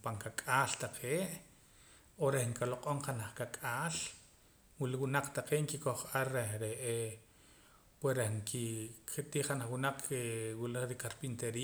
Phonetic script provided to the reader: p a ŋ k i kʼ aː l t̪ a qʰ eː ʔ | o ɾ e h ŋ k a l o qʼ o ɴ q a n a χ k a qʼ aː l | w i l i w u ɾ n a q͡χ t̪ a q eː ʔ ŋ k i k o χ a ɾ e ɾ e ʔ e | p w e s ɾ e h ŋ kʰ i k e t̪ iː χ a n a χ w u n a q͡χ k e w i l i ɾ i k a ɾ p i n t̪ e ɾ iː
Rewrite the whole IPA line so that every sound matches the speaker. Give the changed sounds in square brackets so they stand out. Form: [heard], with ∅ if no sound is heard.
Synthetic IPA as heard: p a ŋ k [a] kʼ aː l t̪ a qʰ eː ʔ | o ɾ e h ŋ k a l o qʼ o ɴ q a n a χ k a [kʼ] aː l | w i l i w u [∅] n a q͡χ t̪ a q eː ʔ ŋ k i k o χ a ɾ e ɾ e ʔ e | p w e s ɾ e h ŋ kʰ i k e t̪ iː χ a n a χ w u n a q͡χ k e w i l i ɾ i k a ɾ p i n t̪ e ɾ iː